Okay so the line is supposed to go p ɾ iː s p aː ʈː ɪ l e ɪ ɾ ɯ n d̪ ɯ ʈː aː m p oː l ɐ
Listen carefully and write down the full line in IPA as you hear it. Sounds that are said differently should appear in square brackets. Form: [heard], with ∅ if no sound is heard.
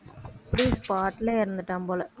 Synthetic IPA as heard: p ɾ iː s p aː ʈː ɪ l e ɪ ɾ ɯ n d̪ ɯ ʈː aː m p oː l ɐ